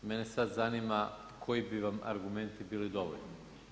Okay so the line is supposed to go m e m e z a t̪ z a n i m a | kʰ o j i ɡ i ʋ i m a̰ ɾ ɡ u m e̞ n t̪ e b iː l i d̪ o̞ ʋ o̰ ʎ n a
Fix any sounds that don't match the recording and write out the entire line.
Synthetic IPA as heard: m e n e s a d̪ z a n i m a | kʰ o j i b i ʋ a m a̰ ɾ ɡ u m e̞ n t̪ i b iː l i d̪ o̞ ʋ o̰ ʎ n i